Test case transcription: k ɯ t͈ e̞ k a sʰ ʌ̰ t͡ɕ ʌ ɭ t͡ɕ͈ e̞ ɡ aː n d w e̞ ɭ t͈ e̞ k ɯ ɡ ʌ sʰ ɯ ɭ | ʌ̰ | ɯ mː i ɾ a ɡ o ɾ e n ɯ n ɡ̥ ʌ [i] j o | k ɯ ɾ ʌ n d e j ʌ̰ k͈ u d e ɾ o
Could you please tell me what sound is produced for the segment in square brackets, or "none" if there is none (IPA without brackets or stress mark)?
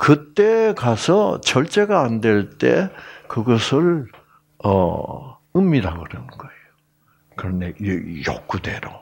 e